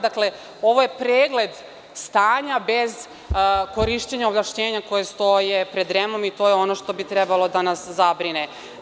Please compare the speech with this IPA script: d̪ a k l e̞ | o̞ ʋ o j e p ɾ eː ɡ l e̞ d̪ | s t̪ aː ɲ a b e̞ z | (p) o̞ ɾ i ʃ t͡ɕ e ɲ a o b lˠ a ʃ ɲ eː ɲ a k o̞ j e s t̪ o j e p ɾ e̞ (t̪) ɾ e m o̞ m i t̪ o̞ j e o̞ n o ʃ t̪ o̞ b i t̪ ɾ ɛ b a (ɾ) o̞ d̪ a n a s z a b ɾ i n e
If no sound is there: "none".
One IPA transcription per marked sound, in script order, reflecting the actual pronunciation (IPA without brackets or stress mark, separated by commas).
k, d̪, l